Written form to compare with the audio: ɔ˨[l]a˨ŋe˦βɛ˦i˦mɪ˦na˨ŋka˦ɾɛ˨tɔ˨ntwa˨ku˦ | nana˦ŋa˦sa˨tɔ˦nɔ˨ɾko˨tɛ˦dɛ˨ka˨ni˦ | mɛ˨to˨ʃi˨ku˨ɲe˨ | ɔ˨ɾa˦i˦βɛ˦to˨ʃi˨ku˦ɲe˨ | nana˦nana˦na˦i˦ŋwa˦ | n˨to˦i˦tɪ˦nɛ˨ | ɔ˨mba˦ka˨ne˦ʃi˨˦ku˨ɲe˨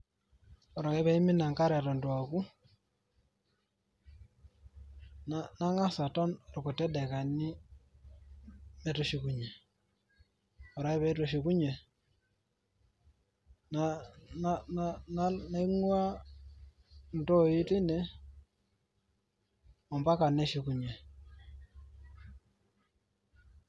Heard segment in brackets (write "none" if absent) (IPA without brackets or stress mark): ɾ